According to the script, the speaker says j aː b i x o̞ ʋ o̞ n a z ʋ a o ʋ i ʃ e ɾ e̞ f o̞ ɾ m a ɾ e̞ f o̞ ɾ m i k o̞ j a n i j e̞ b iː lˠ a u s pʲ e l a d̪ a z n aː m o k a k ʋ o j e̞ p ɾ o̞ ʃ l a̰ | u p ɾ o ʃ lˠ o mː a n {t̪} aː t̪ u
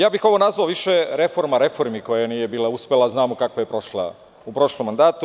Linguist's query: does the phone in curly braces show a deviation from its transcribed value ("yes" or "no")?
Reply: yes